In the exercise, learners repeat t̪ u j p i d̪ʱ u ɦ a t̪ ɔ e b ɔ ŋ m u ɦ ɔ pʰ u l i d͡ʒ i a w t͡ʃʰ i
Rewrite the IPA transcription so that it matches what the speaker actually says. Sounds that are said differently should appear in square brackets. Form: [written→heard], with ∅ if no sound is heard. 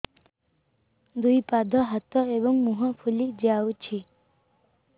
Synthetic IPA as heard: [t̪→d̪] u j p [i→a] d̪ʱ [u→ɔ] ɦ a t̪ ɔ e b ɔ ŋ m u ɦ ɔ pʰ u l i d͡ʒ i a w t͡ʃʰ i